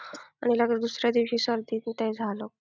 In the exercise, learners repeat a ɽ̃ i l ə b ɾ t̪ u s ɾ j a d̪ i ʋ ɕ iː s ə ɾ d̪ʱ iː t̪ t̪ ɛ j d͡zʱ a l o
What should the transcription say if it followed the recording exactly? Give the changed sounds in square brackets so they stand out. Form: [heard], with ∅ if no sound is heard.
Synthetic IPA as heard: a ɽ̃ i l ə [ɡ] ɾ [d̪] u s ɾ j a d̪ i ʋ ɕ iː s ə ɾ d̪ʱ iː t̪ t̪ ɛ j d͡zʱ a l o